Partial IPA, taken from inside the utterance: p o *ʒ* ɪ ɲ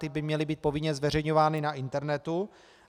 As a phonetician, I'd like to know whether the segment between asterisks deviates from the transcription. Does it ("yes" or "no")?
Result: yes